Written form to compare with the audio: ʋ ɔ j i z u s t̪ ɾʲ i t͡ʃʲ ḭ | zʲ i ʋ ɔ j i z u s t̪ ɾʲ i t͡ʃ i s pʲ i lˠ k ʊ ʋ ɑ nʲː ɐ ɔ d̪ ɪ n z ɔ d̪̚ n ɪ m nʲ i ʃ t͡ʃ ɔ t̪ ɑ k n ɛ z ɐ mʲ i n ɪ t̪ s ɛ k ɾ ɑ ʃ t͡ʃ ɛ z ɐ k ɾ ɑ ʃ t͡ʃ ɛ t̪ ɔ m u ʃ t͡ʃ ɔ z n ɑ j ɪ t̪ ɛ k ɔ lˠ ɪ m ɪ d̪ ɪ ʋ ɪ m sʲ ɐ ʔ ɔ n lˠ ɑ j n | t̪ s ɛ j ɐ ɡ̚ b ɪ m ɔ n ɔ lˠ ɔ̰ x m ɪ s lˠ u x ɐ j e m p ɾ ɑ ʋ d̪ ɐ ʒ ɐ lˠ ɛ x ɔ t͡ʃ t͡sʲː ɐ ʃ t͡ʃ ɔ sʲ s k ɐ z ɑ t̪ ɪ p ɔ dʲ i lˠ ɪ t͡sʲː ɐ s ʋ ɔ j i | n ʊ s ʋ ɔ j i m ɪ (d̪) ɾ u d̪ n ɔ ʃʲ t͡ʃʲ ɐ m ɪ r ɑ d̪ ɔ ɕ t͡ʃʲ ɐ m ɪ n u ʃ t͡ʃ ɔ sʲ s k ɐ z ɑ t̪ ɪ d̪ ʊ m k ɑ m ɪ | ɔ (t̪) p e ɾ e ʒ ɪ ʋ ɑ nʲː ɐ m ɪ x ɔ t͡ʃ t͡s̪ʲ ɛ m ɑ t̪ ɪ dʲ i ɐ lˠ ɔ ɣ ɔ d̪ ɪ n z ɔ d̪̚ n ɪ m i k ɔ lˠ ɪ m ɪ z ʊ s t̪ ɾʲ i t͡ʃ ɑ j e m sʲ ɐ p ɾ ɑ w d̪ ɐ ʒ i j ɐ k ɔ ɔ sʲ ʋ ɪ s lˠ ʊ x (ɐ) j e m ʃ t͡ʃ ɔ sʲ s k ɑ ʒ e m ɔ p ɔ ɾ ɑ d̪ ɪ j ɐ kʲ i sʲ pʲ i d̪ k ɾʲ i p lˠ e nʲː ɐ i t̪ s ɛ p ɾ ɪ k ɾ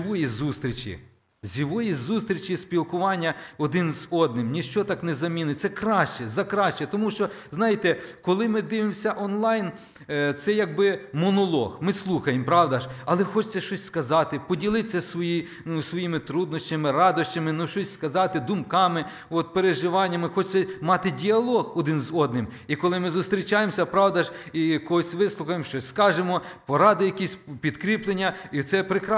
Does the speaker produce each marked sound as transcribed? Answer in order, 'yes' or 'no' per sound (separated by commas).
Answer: no, yes, yes